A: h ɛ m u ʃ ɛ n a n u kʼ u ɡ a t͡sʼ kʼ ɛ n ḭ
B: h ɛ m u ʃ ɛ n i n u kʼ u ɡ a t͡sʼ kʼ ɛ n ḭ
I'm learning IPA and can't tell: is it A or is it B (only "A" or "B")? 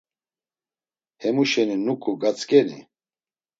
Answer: B